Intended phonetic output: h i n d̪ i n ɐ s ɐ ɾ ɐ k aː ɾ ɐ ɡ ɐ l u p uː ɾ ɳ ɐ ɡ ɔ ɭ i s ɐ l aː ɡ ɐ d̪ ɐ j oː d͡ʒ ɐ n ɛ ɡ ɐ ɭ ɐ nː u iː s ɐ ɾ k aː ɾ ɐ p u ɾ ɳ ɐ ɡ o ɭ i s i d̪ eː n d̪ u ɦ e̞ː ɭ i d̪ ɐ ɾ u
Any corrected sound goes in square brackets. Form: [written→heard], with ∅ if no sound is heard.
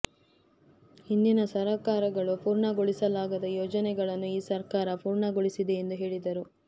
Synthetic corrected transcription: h i n d̪ i n ɐ s ɐ ɾ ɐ k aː ɾ ɐ ɡ ɐ [l→ɭ] u p uː ɾ ɳ ɐ ɡ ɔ ɭ i s ɐ l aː ɡ ɐ d̪ ɐ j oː d͡ʒ ɐ n ɛ ɡ ɐ ɭ ɐ nː u iː s ɐ ɾ k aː ɾ ɐ p [u→uː] ɾ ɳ ɐ ɡ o ɭ i s i d̪ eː n d̪ u ɦ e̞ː ɭ i d̪ ɐ ɾ u